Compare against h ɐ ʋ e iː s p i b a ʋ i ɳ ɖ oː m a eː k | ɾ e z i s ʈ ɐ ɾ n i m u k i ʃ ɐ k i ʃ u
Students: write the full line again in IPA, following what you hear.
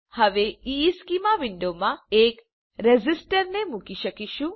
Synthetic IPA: h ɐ ʋ e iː s k i m a ʋ i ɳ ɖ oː m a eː k | ɾ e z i s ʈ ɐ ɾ n e m u k i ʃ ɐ k i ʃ u